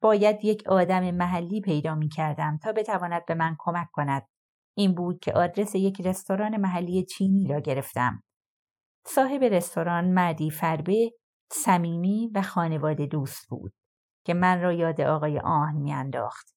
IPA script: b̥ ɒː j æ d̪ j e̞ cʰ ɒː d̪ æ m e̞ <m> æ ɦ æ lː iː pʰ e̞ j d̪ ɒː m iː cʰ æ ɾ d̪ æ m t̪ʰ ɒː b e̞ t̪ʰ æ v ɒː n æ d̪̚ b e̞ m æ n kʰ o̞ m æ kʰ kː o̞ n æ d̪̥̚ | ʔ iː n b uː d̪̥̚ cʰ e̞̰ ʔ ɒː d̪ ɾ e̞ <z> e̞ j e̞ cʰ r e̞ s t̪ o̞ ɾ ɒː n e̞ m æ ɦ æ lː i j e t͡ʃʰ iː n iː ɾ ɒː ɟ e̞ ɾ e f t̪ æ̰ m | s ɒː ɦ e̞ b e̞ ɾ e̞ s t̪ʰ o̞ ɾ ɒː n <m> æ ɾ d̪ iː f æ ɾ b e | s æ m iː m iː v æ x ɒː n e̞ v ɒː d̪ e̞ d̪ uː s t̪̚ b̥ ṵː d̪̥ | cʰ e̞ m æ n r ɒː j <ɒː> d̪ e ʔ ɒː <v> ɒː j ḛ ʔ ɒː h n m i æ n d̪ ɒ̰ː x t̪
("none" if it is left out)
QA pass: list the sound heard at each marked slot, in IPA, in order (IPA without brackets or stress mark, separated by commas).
m, s, m, ɒː, ɣ